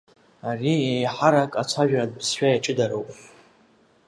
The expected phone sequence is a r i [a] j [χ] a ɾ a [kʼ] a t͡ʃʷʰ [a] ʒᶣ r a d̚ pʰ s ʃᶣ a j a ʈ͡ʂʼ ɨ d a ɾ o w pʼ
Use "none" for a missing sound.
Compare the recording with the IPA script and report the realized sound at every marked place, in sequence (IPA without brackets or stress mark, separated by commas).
e, ħ, kʼ, a